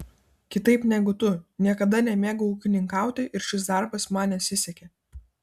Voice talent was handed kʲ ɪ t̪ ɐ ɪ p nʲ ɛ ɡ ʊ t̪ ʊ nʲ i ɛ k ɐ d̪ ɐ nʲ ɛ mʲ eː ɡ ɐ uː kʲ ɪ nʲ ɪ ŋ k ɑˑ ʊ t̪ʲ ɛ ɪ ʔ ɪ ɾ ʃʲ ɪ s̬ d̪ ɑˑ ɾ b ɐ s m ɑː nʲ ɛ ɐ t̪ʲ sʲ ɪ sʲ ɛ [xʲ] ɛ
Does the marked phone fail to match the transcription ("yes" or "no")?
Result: yes